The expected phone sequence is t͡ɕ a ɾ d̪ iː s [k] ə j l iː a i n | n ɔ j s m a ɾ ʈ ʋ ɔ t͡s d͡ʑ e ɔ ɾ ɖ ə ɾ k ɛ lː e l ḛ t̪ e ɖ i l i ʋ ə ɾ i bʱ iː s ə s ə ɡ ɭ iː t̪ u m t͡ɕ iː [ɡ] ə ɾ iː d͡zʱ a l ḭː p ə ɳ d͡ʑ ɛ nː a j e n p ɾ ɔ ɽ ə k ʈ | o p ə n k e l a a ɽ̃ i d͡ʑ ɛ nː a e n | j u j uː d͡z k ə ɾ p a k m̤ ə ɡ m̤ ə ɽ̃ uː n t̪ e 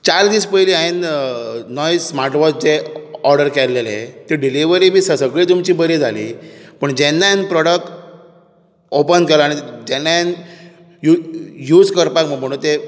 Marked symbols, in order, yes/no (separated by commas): no, no